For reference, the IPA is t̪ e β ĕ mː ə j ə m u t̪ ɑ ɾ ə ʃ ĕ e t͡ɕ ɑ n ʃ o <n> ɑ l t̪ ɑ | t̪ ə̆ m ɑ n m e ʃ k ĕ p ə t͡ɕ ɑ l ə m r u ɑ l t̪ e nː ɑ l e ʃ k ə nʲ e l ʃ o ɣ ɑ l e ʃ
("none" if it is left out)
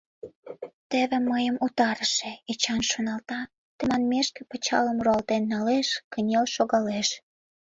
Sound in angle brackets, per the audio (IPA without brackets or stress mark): n